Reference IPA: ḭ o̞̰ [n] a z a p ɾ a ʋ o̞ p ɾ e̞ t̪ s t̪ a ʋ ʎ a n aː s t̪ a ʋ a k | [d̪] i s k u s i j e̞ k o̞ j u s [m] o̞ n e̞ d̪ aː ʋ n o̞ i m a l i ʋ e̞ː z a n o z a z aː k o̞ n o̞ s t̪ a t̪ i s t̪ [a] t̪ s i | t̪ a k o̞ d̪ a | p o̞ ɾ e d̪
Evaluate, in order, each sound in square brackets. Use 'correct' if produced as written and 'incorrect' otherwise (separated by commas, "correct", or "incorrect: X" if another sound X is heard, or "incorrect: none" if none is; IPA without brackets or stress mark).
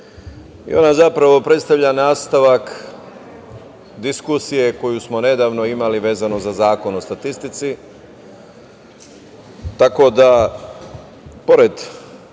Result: correct, correct, correct, incorrect: i